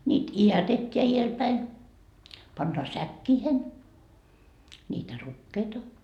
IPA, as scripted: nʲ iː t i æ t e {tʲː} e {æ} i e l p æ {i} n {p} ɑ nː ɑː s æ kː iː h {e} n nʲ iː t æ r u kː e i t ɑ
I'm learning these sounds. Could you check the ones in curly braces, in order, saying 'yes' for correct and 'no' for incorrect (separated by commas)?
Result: yes, yes, yes, yes, yes